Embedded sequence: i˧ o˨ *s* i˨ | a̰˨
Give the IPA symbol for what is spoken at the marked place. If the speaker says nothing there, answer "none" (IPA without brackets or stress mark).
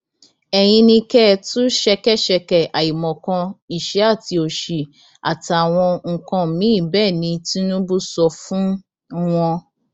ʃ